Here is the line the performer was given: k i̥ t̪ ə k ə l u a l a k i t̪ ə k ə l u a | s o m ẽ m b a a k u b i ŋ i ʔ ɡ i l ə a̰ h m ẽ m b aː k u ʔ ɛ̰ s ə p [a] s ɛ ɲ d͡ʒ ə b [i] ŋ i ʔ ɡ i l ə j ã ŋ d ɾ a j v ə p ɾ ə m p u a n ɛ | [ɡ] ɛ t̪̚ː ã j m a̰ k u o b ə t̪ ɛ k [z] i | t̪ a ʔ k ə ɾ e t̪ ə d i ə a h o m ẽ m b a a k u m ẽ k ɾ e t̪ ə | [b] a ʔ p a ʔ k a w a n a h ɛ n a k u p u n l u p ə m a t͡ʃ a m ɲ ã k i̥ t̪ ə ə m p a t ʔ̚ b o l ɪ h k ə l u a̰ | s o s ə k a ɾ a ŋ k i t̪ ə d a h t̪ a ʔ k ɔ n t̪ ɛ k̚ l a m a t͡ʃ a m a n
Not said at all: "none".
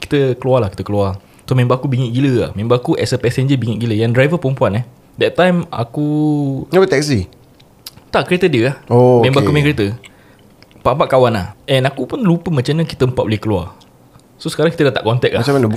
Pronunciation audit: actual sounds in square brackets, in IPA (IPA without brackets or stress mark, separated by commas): ɛ, i, d, s, p